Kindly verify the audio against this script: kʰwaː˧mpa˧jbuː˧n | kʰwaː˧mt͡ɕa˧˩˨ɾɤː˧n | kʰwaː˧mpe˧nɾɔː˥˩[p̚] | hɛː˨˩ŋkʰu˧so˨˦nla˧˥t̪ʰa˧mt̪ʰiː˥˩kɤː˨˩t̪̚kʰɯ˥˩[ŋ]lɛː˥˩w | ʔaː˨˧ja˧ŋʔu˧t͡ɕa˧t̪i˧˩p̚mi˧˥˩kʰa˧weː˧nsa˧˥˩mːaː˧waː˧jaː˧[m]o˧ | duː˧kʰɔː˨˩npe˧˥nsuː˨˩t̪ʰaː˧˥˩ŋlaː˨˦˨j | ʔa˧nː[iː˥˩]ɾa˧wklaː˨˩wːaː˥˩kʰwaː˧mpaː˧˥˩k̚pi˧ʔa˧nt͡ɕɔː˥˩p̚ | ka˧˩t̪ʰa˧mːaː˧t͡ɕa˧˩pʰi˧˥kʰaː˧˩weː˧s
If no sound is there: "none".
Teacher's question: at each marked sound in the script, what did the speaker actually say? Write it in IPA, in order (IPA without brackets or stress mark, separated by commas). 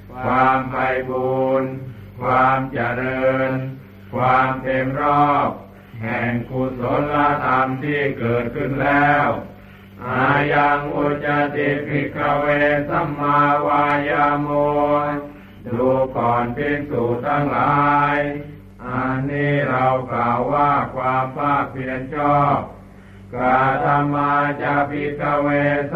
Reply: p̚, n, m, iː˥˩